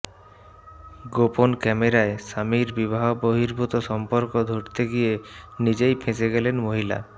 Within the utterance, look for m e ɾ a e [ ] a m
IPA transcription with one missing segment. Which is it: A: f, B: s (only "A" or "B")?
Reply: B